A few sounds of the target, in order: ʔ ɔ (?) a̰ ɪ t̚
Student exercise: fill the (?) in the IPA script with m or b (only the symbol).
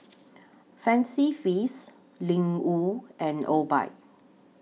b